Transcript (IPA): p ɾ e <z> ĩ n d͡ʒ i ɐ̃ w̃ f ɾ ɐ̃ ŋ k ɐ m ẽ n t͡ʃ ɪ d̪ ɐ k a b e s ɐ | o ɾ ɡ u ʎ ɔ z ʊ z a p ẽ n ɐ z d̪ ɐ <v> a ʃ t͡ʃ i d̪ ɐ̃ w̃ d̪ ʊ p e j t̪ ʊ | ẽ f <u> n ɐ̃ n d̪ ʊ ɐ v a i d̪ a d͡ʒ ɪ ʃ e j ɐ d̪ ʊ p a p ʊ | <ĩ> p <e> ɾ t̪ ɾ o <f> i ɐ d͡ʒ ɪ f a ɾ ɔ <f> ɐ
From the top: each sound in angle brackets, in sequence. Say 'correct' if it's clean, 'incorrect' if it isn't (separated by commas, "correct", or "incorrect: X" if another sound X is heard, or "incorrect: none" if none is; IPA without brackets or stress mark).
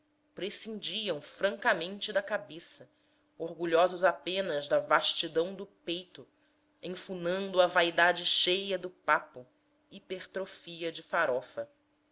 incorrect: s, correct, correct, incorrect: i, correct, correct, correct